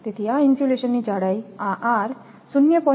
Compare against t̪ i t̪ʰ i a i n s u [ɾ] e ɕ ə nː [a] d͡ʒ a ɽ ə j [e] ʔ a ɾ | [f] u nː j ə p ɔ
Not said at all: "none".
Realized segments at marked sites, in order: l, i, a, s

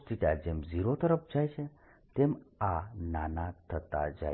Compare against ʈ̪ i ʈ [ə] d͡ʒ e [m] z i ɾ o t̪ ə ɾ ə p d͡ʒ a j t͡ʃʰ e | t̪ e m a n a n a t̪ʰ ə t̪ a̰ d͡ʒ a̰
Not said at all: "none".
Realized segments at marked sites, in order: a, m

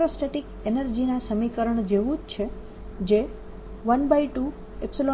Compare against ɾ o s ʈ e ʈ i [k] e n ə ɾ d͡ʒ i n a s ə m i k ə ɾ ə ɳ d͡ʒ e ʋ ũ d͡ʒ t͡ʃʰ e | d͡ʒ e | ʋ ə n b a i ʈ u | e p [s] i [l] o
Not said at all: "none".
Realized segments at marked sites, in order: k, s, l

